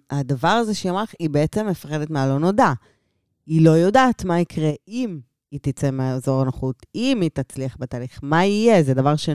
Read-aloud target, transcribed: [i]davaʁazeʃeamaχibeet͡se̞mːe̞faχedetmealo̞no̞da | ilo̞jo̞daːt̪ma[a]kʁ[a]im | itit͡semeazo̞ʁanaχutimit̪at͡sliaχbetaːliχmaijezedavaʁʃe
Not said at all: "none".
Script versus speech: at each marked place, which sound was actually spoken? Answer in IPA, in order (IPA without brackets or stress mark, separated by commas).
a, i, e